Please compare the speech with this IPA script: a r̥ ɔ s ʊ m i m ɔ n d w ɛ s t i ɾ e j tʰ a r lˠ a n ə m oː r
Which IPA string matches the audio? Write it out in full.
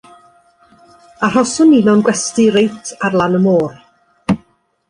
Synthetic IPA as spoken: a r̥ ɔ s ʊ n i n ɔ n ɡ w ɛ s t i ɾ e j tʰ a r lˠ a n ə m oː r